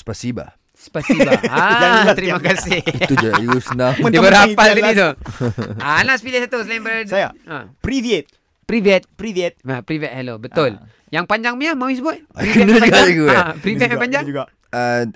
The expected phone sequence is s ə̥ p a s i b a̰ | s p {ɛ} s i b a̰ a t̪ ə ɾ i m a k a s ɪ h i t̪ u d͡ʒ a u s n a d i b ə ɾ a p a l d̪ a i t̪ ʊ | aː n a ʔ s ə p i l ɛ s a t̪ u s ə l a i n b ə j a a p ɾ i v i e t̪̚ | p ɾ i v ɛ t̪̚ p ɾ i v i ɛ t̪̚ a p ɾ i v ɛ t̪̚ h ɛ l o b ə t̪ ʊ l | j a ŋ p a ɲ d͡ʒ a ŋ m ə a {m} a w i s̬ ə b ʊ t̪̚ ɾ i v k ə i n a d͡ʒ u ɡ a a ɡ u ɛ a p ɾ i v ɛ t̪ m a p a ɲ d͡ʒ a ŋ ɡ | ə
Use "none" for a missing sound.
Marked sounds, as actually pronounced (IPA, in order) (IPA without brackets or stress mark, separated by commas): a, m